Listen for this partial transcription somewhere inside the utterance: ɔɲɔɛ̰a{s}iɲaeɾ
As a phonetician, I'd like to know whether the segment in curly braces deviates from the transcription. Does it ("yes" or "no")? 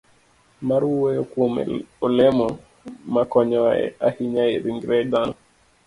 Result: yes